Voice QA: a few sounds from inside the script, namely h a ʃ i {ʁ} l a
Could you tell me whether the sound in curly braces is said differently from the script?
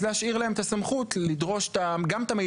no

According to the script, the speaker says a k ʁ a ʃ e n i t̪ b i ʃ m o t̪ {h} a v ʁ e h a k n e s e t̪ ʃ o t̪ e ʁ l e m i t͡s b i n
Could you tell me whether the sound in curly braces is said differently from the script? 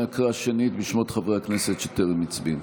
yes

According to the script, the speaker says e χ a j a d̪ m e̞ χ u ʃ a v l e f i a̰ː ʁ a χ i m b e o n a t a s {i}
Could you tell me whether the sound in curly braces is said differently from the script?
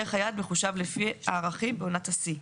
no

